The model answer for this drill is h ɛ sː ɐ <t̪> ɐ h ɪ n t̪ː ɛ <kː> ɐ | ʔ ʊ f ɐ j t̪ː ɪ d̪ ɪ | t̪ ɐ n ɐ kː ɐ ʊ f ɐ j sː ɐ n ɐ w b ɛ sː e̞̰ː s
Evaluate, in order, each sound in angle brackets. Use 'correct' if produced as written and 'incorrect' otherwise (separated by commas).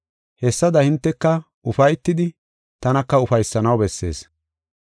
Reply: incorrect, correct